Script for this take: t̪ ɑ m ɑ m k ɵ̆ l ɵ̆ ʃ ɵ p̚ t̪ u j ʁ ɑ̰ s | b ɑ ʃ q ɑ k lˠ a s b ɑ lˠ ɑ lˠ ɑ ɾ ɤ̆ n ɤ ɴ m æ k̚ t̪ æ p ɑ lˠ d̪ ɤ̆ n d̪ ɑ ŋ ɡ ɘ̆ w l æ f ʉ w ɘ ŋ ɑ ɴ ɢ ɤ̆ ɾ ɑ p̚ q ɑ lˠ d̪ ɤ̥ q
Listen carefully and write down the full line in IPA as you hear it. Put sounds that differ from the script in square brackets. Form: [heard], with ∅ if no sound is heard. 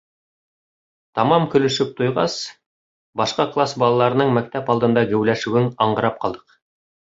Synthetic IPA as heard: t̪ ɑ m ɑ m k ɵ̆ l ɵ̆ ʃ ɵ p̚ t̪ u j ʁ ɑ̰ s | b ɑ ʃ q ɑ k lˠ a s b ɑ lˠ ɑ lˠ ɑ ɾ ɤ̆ n ɤ ɴ m æ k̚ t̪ æ p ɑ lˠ d̪ ɤ̆ n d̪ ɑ [∅] ɡ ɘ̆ w l æ [ʃ] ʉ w ɘ ŋ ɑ ɴ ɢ ɤ̆ ɾ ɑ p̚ q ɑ lˠ d̪ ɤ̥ q